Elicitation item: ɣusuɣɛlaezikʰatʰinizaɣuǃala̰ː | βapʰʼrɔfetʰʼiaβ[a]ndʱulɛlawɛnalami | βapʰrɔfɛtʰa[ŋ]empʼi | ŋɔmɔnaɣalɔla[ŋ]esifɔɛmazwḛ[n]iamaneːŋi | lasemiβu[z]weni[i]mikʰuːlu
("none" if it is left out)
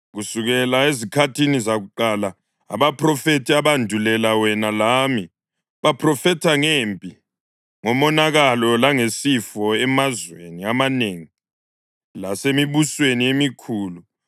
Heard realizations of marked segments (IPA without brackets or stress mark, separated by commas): a, ŋ, ŋ, n, s, e